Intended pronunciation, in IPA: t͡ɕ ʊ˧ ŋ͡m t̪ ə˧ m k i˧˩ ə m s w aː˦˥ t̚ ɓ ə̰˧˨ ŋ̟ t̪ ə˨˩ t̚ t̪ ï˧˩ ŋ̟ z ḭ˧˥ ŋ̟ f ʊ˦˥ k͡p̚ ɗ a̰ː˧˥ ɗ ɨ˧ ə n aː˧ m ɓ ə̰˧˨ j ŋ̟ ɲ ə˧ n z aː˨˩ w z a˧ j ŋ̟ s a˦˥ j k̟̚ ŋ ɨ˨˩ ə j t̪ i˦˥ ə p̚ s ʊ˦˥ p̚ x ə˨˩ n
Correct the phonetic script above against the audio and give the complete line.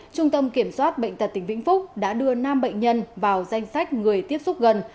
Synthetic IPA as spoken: t͡ɕ ʊ˧ ŋ͡m t̪ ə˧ m k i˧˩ ə m s w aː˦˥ t̚ ɓ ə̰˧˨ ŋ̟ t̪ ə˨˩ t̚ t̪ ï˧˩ ŋ̟ v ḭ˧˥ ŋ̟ f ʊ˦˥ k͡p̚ ɗ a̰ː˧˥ ɗ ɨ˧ ə n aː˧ m ɓ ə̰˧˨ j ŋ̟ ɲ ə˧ n v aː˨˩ w z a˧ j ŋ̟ s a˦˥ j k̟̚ ŋ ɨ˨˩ ə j t̪ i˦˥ ə p̚ s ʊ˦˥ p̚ ɣ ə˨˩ n

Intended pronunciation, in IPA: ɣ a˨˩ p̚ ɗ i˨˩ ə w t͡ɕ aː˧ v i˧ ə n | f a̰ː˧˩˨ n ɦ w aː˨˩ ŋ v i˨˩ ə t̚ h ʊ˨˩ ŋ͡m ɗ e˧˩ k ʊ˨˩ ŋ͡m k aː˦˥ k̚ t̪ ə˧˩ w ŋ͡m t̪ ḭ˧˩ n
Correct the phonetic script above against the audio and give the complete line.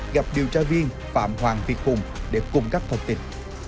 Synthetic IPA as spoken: ɣ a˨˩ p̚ ɗ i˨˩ ə w t͡ɕ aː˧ v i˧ ə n | f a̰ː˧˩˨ m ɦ w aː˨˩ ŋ v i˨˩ ə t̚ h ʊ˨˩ ŋ͡m ɗ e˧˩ k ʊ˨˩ ŋ͡m k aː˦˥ k̚ t̪ʰ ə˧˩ w ŋ͡m t̪ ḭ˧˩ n

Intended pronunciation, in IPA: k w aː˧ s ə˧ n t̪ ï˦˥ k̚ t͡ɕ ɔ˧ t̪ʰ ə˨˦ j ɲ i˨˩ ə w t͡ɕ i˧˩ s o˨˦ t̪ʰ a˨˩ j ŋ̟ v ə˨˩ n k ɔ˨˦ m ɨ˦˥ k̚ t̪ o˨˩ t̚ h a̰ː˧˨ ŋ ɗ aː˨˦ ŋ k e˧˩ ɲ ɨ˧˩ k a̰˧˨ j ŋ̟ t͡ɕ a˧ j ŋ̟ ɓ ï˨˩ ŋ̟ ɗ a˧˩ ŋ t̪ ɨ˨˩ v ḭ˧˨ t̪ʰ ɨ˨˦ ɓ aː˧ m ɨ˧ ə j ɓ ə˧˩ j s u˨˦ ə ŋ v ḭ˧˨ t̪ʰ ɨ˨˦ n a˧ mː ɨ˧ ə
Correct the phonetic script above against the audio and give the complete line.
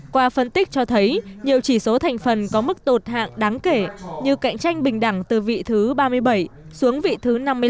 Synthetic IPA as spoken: k w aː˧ f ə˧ n t̪ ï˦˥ k̚ t͡ɕ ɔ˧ t̪ʰ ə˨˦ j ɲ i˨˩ ə w t͡ɕ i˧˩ s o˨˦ t̪ʰ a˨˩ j ŋ̟ f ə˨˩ n k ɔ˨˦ m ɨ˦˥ k̚ t̪ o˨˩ t̚ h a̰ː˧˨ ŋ ɗ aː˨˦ ŋ k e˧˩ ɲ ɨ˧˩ k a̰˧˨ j ŋ̟ t͡ɕ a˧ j ŋ̟ ɓ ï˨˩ ŋ̟ ɗ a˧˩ ŋ t̪ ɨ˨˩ v ḭ˧˨ t̪ʰ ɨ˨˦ ɓ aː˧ m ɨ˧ ə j ɓ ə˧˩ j s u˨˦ ə ŋ v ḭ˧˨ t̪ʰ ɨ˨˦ n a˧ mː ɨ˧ ə

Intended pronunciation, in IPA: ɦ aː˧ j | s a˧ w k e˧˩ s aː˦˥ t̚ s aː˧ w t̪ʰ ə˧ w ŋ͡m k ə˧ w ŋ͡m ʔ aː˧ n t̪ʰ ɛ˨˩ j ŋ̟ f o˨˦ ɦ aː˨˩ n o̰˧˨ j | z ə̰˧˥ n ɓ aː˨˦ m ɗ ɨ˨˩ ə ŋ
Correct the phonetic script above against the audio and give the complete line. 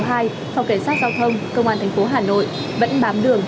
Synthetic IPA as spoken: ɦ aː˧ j | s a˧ w k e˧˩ s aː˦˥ t̚ z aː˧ w t̪ʰ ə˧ w ŋ͡m k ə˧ w ŋ͡m ʔ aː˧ n t̪ʰ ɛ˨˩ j ŋ̟ f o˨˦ ɦ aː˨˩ n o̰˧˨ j | v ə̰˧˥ n ɓ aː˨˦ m ɗ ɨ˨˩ ə ŋ

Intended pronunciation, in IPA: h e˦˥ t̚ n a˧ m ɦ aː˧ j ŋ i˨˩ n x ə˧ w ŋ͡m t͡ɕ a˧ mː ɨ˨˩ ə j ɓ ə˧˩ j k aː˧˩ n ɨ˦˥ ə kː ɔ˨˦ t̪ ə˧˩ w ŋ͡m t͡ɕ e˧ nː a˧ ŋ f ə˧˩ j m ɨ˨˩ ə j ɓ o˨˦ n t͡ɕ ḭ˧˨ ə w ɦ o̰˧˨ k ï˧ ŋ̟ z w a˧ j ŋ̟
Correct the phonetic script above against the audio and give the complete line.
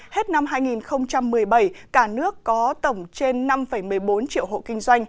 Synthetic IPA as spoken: h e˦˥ t̚ n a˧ m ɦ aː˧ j ŋ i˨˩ n x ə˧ w ŋ͡m t͡ɕ a˧ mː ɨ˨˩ ə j ɓ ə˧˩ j k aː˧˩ n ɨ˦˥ ə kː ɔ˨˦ t̪ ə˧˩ w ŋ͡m t͡ɕ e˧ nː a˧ m f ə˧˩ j m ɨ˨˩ ə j ɓ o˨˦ n t͡ɕ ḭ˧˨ ə w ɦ o̰˧˨ k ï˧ ŋ̟ z w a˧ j ŋ̟

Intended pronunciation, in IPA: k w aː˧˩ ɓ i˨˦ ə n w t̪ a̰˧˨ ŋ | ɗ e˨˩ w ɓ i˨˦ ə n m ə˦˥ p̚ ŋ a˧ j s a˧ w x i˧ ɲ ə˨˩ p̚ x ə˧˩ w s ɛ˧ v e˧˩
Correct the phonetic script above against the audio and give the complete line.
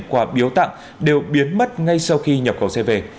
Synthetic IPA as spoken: k w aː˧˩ ɓ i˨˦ ə w t̪ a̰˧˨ ŋ | ɗ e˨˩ w ɓ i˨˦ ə n m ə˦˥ t̚ ŋ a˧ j s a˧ w x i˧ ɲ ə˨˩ p̚ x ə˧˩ w s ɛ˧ v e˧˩

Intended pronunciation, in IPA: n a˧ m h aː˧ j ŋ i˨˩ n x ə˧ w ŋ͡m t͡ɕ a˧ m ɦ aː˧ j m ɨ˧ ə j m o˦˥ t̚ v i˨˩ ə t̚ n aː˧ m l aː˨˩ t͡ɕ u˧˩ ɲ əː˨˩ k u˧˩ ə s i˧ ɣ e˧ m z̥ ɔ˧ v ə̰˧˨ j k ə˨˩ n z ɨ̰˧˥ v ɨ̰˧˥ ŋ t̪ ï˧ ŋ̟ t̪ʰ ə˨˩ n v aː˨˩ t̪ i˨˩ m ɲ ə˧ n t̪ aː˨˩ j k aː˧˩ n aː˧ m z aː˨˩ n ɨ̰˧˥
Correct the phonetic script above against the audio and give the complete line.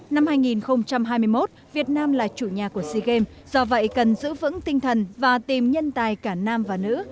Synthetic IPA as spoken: n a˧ m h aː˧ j ŋ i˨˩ n x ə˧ w ŋ͡m t͡ɕ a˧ m ɦ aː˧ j m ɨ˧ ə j m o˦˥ t̚ v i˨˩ ə t̚ n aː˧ m l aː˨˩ t͡ɕ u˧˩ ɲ aː˨˩ k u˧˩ ə s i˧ ɣ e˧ m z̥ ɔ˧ v ə̰˧˨ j k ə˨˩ n z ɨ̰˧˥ v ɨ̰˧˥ ŋ t̪ ï˧ ŋ̟ t̪ʰ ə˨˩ n v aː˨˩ t̪ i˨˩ m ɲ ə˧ n t̪ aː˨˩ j k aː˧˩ n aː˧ m v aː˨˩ n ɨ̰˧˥

